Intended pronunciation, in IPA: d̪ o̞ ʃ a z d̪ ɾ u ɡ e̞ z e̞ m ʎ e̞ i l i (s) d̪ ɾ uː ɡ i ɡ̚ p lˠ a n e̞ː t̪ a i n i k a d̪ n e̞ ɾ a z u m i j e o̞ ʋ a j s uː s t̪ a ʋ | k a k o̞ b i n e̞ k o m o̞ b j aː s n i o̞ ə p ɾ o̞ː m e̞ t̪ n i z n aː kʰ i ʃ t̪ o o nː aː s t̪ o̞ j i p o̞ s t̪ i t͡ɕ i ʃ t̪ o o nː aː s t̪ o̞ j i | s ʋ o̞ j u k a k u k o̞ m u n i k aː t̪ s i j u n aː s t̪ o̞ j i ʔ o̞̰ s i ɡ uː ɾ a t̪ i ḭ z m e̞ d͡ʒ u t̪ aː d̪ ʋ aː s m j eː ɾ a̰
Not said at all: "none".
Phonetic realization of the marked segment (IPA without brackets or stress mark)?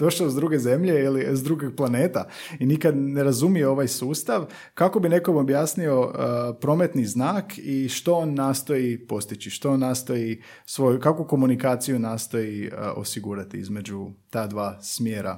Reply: z